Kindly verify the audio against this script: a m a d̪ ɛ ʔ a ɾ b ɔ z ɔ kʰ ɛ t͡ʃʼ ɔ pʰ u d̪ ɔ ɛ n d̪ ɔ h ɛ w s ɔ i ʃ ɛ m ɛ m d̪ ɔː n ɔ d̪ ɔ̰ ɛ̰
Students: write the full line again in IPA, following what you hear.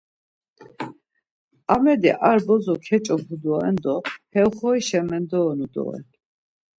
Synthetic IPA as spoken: a m ɛ d̪ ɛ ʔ a ɾ b ɔ z ɔ kʰ ɛ t͡ʃʼ ɔ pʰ u d̪ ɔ ɛ n d̪ ɔ h ɛ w χ ɔ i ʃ ɛ m ɛ n d̪ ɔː n u d̪ ɔ̰ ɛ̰